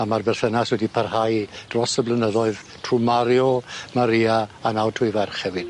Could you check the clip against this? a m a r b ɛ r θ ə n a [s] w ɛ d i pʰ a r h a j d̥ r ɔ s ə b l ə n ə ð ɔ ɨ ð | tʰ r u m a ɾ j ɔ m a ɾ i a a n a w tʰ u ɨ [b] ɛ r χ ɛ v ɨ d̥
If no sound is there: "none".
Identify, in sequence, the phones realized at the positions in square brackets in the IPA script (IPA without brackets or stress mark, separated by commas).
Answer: s, v